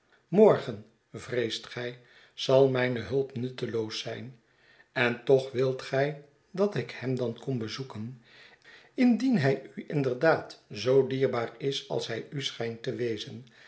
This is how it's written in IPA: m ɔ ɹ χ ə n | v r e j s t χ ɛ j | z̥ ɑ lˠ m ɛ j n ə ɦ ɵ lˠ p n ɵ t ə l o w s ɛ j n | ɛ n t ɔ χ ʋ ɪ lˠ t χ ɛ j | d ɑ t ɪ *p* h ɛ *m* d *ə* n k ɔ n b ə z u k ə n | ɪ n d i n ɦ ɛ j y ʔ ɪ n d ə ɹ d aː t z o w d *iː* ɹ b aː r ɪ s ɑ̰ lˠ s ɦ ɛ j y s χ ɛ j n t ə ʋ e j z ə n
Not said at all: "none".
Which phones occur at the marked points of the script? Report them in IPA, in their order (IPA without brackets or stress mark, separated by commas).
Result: k, m, ɑ, iː